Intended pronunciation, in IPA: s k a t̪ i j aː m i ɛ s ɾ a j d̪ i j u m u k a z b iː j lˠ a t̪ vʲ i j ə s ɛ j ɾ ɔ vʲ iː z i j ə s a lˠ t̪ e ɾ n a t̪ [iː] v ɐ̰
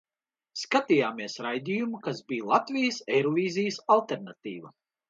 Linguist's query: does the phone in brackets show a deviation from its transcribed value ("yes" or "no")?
no